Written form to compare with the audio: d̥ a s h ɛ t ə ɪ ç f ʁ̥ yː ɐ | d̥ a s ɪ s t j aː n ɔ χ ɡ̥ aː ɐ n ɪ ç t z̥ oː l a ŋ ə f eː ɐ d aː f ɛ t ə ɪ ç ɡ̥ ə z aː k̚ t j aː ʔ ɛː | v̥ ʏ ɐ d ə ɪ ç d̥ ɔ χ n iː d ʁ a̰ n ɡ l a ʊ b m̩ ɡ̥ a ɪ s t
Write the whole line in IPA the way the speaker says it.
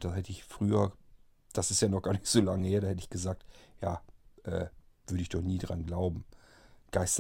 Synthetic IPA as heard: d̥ a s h ɛ t ə ɪ ç f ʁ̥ yː ɐ | d̥ a s ɪ s t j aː n ɔ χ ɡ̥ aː ɐ n ɪ ç t z̥ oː l a ŋ ə h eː ɐ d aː h ɛ t ə ɪ ç ɡ̥ ə z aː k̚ t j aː ʔ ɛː | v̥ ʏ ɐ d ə ɪ ç d̥ ɔ χ n iː d ʁ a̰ n ɡ l a ʊ b m̩ ɡ̥ a ɪ s t